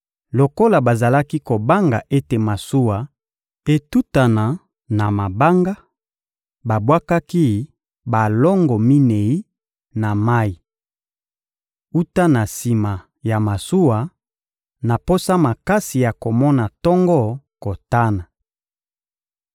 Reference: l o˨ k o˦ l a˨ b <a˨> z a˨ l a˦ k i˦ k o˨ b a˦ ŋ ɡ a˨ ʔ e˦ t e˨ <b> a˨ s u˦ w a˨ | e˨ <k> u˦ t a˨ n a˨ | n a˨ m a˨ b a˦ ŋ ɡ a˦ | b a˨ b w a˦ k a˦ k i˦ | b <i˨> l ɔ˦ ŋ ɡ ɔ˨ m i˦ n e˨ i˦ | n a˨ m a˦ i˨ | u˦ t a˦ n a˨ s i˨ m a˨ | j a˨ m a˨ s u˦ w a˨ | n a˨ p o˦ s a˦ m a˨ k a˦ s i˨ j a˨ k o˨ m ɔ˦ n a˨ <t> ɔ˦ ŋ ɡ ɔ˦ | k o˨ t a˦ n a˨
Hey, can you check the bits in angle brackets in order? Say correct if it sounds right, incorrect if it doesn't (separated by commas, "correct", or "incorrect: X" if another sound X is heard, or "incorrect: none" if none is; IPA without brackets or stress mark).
correct, incorrect: m, incorrect: t, incorrect: a˨, correct